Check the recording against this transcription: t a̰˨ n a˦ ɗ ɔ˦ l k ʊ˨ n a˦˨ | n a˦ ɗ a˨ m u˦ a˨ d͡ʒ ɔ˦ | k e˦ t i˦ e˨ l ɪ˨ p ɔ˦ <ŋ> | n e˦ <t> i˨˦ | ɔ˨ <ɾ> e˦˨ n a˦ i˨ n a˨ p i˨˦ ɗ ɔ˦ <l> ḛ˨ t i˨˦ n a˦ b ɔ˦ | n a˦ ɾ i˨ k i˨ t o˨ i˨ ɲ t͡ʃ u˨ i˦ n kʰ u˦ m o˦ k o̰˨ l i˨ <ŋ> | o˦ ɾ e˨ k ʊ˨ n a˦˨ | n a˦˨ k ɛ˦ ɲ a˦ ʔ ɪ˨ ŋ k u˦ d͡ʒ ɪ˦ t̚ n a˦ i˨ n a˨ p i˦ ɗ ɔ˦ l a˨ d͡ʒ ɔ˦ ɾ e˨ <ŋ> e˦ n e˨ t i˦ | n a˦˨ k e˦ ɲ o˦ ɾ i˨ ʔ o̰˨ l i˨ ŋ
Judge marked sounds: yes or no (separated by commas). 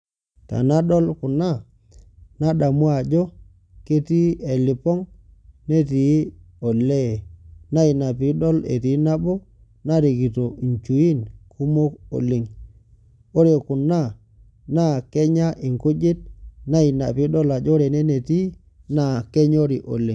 yes, yes, no, yes, yes, no